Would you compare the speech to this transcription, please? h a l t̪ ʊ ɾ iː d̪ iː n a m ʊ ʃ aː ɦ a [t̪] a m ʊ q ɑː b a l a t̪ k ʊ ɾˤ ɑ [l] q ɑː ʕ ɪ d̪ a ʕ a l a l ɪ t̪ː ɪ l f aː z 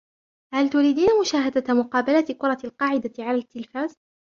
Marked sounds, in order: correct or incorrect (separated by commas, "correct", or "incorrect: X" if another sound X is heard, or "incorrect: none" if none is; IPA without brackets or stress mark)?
incorrect: d̪, correct